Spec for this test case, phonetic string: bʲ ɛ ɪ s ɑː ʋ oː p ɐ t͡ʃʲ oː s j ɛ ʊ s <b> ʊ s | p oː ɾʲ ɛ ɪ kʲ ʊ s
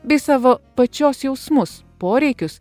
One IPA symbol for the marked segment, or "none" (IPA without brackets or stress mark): m